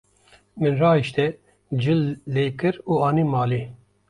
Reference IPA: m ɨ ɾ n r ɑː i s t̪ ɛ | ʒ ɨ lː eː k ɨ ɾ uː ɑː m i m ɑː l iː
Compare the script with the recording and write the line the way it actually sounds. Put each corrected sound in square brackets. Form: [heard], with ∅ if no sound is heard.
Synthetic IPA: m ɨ [∅] n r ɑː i [ʃ] t̪ ɛ | [d͡ʒ] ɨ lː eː k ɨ ɾ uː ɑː [n] i m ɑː l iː